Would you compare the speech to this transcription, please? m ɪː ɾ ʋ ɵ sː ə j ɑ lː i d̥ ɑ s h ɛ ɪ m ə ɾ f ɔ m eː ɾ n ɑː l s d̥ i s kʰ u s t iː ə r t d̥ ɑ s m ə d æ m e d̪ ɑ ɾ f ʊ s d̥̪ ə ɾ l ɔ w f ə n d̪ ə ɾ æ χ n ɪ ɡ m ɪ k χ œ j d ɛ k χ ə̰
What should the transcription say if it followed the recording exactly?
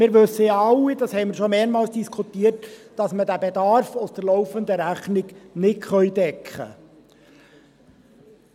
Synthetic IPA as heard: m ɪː ɾ ʋ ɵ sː ə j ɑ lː i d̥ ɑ s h ɛ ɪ m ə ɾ ʃ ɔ m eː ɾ m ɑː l s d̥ i s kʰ u t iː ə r t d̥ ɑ s m ə d æ b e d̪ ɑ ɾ f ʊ s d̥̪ ə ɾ l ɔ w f ə n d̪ ə ɾ æ χ n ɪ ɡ n ɪ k χ œ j d ɛ k χ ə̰